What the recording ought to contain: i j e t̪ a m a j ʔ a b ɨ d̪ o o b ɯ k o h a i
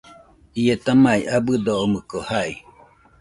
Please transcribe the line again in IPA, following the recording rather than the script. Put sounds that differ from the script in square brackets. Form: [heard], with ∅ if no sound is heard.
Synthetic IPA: i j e t̪ a m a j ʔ a b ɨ d̪ o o [m] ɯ k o h a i